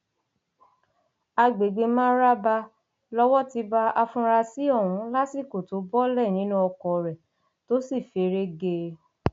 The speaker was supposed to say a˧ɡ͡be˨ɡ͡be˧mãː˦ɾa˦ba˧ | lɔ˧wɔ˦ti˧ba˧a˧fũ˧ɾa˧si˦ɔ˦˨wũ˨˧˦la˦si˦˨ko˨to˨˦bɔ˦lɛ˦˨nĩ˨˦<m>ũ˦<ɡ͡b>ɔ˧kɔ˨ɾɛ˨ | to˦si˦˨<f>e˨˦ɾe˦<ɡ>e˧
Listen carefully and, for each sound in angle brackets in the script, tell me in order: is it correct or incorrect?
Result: incorrect: n, incorrect: none, correct, correct

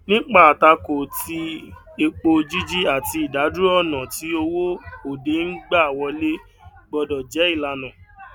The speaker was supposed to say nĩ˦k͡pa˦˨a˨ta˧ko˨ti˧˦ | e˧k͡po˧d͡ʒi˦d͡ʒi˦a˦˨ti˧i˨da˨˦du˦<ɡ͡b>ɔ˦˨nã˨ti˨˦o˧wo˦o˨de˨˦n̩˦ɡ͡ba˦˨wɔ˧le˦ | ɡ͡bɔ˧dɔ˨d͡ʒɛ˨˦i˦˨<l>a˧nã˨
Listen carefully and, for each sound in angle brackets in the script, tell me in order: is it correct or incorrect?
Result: incorrect: none, correct

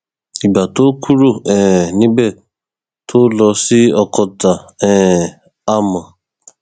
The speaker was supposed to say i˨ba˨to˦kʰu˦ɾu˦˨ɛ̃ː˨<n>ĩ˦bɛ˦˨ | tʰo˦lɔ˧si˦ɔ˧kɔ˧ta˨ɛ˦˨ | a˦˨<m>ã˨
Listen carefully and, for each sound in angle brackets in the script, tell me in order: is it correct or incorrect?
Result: correct, correct

